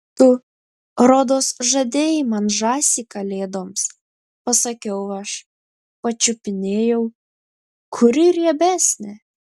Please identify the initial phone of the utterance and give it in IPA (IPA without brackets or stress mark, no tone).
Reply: t̪